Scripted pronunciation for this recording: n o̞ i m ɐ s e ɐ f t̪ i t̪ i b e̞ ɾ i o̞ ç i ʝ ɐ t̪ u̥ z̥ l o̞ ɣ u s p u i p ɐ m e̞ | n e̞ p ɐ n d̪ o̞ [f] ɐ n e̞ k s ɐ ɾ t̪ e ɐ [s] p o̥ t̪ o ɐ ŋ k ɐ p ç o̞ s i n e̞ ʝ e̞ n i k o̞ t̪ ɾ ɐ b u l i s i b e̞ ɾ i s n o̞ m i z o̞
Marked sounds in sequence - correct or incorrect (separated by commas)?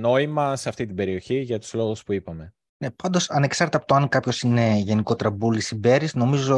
incorrect, incorrect